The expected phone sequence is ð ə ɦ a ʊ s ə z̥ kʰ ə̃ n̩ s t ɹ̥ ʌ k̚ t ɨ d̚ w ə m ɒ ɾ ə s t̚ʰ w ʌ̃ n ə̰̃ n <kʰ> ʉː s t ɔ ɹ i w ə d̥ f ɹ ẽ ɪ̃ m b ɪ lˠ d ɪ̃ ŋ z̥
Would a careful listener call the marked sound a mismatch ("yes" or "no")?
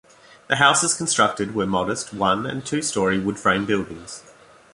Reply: yes